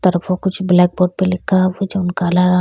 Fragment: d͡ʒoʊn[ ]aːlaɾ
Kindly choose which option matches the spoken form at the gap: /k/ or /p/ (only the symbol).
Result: k